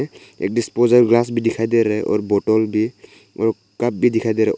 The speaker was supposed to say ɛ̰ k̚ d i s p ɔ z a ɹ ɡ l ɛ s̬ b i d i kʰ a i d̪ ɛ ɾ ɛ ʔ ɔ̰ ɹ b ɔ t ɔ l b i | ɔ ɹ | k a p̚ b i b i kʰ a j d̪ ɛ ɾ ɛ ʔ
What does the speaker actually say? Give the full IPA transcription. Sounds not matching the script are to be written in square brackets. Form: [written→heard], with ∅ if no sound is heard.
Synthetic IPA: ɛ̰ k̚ d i s p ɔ z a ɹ ɡ l [ɛ→a] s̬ b i d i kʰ a [i→j] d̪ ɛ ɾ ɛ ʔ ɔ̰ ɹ b ɔ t ɔ l b i | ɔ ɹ | k a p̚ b i [b→d] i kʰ a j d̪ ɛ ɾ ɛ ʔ